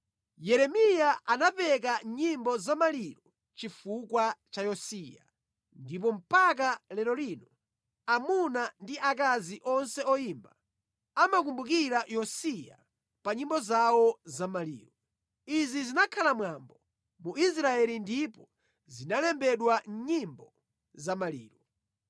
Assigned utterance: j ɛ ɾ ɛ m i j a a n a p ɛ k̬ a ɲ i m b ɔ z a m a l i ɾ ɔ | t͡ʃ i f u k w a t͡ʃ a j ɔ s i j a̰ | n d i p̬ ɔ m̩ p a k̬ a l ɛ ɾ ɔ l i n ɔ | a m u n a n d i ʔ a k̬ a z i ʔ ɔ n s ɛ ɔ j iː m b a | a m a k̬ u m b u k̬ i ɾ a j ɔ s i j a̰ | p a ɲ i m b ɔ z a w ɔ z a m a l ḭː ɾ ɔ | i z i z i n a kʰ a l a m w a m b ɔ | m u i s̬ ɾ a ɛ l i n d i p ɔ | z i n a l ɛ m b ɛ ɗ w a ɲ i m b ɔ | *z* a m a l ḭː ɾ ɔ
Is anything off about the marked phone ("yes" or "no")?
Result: no